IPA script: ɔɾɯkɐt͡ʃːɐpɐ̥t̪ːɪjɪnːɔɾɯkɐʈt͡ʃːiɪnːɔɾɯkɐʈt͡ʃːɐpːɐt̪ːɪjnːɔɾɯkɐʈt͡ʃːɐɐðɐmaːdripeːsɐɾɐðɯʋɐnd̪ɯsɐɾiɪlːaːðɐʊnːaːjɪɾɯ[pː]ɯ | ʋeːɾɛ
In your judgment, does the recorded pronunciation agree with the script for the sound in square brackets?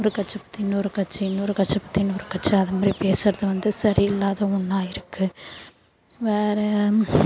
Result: no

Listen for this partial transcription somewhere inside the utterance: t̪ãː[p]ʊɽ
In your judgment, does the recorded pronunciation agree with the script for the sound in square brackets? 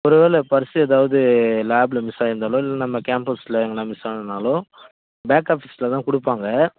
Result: no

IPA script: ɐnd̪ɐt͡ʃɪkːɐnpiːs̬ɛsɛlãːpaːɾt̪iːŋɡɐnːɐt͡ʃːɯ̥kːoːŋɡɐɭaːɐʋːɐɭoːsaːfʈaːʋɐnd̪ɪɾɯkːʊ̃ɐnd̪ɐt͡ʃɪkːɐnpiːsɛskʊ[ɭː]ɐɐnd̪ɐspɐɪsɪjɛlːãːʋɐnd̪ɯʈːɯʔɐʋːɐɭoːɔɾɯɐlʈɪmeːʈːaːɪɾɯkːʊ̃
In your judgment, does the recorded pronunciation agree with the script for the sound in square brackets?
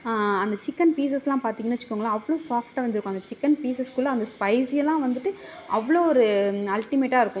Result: no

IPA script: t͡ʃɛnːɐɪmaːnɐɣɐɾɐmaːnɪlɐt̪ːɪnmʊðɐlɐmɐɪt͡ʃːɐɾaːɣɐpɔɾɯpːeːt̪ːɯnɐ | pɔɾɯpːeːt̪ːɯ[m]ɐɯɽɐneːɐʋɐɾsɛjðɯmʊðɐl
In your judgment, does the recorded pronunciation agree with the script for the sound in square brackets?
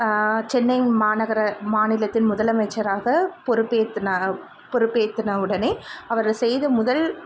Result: no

